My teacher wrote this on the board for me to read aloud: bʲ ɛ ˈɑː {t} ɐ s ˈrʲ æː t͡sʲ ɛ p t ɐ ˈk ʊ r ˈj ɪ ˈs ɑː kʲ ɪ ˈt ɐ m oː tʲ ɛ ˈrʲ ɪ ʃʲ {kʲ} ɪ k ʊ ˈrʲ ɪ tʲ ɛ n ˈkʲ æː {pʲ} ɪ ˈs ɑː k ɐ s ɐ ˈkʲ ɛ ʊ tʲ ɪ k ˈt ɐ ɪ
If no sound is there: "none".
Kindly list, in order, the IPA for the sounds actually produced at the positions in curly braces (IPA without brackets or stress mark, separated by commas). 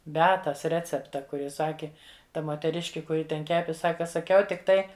t, kʲ, pʲ